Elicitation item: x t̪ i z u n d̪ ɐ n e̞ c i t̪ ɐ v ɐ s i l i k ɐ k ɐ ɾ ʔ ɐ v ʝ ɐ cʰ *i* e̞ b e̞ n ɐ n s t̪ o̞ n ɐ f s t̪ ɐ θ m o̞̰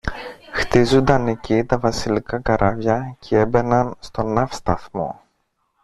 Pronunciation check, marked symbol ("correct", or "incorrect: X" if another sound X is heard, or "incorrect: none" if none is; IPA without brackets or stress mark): incorrect: e